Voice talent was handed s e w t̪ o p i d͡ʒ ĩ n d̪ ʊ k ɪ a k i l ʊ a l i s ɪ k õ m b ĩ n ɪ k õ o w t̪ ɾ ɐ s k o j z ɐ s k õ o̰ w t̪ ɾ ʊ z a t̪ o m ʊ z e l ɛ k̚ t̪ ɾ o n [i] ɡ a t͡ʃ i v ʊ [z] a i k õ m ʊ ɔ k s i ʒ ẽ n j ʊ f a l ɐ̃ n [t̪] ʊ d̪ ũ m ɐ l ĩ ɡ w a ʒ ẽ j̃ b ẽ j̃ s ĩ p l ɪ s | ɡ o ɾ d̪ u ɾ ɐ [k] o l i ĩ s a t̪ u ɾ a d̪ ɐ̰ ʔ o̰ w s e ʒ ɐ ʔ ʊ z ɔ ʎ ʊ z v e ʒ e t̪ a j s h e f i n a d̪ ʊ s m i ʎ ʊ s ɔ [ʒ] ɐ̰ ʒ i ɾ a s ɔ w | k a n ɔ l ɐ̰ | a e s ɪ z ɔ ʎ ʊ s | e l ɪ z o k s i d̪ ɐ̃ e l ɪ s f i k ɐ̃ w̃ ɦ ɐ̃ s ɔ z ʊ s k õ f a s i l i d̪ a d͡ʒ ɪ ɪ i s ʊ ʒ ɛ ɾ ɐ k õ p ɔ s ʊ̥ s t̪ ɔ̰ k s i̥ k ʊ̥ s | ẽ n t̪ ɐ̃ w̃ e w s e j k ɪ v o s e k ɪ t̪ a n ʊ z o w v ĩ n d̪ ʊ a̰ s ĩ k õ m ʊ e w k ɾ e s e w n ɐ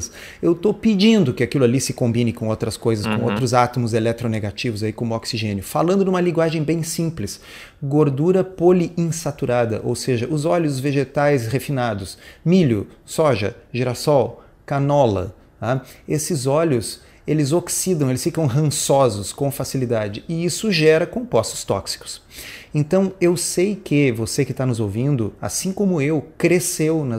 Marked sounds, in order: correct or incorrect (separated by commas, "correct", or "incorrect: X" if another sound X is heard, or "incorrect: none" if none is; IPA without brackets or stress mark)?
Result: incorrect: e, correct, incorrect: d̪, incorrect: p, correct